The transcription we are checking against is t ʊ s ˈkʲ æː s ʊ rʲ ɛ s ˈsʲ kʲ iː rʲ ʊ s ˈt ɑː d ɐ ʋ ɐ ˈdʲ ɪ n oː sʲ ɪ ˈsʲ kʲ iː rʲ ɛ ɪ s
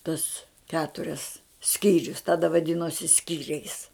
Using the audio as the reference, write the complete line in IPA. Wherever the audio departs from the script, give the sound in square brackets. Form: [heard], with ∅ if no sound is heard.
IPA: t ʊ s ˈkʲ æː [t] ʊ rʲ ɛ s ˈsʲ kʲ iː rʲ ʊ s ˈt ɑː d ɐ ʋ ɐ ˈdʲ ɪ n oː sʲ ɪ ˈsʲ kʲ iː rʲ ɛ ɪ s